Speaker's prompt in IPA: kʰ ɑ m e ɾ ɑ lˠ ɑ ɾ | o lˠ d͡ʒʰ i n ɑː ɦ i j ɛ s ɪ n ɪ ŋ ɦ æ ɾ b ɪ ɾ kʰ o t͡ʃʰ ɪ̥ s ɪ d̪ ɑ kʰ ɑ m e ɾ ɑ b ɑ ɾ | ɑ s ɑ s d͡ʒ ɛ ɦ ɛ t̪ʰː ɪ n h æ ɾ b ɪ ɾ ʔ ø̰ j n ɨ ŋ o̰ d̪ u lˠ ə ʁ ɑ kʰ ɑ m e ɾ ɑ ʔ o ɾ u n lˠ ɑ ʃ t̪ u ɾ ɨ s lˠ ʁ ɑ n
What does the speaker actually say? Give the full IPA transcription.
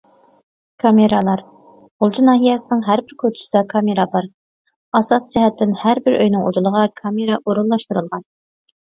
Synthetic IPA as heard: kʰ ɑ m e ɾ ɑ lˠ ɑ ɾ | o lˠ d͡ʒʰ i n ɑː ɦ i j ɛ s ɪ n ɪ ŋ ɦ æ ɾ b ɪ ɾ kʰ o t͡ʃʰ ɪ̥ s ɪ d̪ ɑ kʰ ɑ m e ɾ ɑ b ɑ ɾ | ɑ s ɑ s d͡ʒ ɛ ɦ ɛ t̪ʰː ɪ n h æ ɾ b ɪ ɾ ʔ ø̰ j n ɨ ŋ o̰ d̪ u lˠ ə ʁ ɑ kʰ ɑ m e ɾ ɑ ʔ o ɾ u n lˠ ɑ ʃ t̪ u ɾ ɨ lˠ ʁ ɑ n

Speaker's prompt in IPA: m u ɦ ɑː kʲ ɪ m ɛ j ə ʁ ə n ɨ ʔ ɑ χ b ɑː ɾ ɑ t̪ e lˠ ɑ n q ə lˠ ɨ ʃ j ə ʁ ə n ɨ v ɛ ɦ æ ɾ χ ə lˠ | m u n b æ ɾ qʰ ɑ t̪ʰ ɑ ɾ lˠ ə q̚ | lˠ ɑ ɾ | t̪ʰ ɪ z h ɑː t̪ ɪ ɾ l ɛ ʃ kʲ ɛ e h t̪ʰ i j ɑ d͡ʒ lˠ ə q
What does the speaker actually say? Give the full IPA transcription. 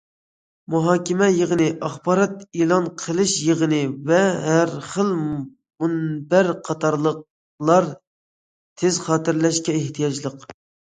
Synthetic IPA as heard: m u ɦ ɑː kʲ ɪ m ɛ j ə ʁ ə n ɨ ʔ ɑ χ b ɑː ɾ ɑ t̪ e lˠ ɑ n qʰ ə lˠ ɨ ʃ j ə ʁ ə n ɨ v ɛ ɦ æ ɾ χ ə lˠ | m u n b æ ɾ qʰ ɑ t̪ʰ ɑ ɾ lˠ ə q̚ | lˠ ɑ ɾ | t̪ʰ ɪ z χ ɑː t̪ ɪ ɾ l ɛ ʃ kʲ ɛ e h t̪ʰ i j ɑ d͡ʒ lˠ ə q

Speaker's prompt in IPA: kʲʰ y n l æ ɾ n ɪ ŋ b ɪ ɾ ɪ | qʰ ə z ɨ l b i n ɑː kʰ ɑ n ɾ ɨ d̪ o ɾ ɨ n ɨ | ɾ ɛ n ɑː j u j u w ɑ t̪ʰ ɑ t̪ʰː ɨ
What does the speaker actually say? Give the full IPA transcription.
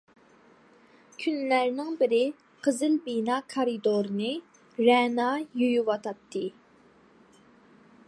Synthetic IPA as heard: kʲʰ y n l æ ɾ n ɪ ŋ b ɪ ɾ ɪ | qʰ ə z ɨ l b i n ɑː kʰ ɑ ɾ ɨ d̪ o ɾ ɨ n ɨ | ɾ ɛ n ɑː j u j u w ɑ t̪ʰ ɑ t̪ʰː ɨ

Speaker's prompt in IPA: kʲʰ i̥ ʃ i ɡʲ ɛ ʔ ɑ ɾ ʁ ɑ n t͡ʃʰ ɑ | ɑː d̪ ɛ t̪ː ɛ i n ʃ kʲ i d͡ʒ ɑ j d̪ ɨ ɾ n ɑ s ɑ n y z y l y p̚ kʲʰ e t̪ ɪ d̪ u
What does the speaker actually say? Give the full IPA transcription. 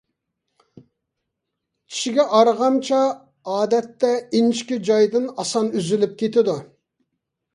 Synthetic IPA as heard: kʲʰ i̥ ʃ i ɡʲ ɛ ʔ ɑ ɾ ʁ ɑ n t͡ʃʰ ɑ | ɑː d̪ ɛ t̪ː ɛ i n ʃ kʲ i d͡ʒ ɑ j d̪ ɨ n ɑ s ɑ n y z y l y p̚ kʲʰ e t̪ ɪ d̪ u

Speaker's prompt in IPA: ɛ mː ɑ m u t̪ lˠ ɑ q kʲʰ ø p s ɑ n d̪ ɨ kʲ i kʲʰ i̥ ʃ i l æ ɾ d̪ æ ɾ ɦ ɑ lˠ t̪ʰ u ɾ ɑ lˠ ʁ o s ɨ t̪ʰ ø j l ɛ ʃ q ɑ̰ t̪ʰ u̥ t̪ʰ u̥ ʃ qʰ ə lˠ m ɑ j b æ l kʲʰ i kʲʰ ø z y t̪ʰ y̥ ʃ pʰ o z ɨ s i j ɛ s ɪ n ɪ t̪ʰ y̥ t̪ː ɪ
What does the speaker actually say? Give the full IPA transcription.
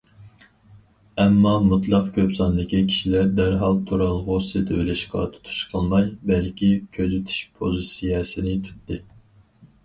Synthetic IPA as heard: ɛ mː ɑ m u t̪ lˠ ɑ q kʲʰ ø p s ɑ n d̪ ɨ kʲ i kʲʰ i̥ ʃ i l æ ɾ d̪ æ ɾ ɦ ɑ lˠ t̪ʰ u ɾ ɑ lˠ ʁ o s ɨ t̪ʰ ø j l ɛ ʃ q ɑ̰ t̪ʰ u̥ t̪ʰ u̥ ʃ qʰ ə lˠ m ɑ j b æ l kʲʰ i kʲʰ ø z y t̪ʰ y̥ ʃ pʰ o z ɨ s i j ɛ s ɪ n ɪ t̪ʰ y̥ t̪ː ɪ

